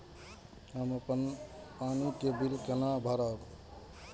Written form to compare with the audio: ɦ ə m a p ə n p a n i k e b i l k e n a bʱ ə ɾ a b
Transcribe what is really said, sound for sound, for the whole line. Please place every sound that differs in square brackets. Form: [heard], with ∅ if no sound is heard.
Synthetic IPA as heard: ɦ ə m [ə] p ə n p a n i k e b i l k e n a bʱ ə ɾ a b